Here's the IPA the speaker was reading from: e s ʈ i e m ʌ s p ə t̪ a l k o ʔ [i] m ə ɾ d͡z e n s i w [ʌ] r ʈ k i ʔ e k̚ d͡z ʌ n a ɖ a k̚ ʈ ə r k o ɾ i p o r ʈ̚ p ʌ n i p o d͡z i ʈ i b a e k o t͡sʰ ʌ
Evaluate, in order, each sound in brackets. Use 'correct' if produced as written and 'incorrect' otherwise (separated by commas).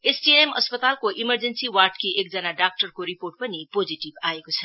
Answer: correct, incorrect